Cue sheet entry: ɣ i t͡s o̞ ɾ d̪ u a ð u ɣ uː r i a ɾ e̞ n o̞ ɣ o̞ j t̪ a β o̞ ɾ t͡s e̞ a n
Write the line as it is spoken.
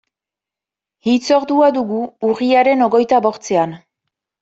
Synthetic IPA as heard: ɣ i t͡s o̞ ɾ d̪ u a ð u ɣ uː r i a ɾ e̞ n o̞ ɣ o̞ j t̪ a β o̞ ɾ t͡s e̞ a n